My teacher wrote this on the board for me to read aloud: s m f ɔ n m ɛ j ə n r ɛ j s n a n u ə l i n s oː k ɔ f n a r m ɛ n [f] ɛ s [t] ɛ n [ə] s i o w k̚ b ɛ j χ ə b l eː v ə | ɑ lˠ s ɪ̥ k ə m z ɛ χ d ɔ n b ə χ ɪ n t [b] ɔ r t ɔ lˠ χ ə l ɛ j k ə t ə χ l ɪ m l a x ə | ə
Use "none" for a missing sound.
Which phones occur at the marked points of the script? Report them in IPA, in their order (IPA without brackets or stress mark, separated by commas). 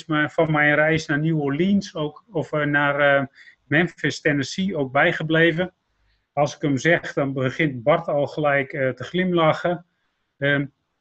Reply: f, t, ə, b